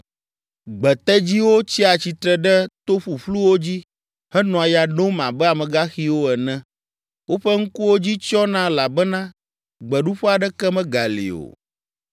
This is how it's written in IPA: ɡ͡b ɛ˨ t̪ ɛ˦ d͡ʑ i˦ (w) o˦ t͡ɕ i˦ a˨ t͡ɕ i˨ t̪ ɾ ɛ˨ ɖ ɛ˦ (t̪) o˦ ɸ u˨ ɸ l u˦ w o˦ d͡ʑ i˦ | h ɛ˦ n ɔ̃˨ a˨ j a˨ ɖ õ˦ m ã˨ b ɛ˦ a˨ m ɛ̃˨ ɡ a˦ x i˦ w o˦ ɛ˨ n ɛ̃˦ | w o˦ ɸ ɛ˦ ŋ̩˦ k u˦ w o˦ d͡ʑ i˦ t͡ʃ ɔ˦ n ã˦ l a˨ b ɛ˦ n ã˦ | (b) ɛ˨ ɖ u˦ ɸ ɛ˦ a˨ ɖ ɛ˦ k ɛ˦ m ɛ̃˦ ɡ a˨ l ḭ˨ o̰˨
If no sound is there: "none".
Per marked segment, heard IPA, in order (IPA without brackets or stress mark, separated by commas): w, t̪, ɡ͡b